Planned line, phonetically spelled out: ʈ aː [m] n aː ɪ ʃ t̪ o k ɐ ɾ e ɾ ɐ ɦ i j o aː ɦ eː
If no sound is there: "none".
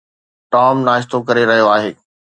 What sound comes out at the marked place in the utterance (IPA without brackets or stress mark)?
m